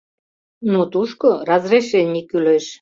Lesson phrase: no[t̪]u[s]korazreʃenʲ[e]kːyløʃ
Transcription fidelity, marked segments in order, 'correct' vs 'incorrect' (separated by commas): correct, incorrect, incorrect